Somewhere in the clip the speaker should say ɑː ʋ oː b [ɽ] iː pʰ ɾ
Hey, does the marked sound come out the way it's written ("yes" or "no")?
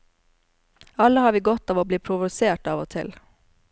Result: no